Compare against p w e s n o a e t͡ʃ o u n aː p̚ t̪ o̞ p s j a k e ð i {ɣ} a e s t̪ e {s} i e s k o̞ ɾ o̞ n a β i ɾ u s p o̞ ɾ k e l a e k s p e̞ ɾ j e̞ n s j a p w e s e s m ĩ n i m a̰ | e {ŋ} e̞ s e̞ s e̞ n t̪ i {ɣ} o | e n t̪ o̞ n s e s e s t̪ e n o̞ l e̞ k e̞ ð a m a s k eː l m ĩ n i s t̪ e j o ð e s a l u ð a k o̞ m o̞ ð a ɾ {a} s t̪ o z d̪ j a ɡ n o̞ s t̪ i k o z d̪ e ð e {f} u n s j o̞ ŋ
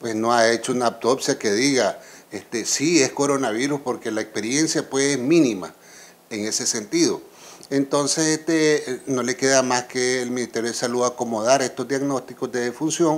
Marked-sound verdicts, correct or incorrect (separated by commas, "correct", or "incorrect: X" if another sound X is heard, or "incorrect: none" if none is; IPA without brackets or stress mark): correct, correct, correct, incorrect: ð, incorrect: e, correct